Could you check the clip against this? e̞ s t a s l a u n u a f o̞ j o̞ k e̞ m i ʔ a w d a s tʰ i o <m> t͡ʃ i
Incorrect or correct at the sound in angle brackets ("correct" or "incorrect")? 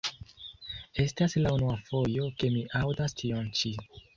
incorrect